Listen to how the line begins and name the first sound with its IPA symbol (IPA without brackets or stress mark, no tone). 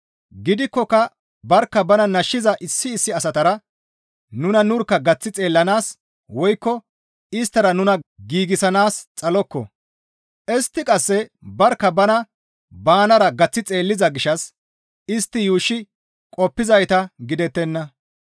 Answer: ɡ